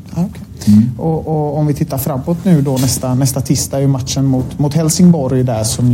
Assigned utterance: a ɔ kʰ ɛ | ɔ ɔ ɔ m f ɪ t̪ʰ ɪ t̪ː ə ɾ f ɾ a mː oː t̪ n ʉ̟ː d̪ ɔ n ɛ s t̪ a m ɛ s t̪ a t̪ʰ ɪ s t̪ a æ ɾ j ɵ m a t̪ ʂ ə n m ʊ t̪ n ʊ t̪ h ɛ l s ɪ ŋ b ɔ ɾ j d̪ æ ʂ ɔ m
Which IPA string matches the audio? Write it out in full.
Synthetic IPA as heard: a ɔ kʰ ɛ | ɔ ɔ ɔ m v ɪ t̪ʰ ɪ t̪ː a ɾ f ɾ a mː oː t̪ n ʉ̟ː d̪ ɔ n ɛ s t̪ a n ɛ s t̪ a t̪ʰ ɪ s t̪ a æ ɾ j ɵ m a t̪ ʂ ə n m ʊ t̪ m ʊ t̪ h ɛ l s ɪ ŋ b ɔ ɾ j d̪ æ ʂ ɔ m